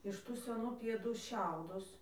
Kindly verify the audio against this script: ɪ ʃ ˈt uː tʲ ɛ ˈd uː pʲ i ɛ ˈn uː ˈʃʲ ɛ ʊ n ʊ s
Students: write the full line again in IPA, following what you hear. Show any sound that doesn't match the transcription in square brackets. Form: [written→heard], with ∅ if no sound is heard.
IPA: ɪ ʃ ˈt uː [tʲ→sʲ] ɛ [ˈd→ˈn] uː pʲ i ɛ [ˈn→ˈd] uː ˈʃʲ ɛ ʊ [n→d] ʊ s